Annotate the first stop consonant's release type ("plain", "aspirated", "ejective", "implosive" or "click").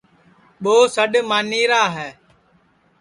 implosive